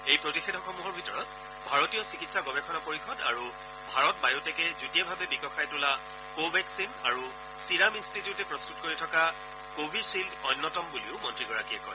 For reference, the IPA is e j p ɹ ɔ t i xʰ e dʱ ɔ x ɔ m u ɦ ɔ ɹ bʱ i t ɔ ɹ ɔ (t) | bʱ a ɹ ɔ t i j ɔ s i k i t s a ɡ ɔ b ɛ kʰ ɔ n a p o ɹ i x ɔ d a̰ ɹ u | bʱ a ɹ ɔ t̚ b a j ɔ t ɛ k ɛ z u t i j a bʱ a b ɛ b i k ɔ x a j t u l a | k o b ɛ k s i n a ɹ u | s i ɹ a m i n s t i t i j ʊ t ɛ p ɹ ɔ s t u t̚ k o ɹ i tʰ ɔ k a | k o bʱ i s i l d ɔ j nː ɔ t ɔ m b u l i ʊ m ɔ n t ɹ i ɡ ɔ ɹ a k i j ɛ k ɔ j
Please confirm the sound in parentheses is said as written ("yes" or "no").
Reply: yes